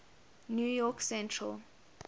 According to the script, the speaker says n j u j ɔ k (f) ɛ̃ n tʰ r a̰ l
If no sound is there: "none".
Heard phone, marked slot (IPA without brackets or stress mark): s